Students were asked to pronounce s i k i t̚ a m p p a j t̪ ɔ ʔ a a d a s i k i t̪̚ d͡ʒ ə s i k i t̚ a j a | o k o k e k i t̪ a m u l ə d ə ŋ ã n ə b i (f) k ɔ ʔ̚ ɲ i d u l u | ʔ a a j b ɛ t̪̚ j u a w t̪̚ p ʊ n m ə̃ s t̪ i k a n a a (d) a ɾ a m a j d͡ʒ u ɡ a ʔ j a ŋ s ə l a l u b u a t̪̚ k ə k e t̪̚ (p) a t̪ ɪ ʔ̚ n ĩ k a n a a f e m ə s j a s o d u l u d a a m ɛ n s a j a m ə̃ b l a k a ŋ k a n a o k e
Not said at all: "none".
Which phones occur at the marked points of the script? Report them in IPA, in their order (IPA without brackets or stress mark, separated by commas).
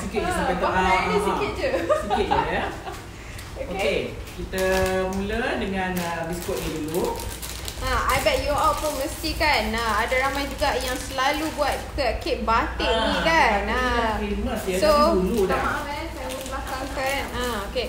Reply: s, d, b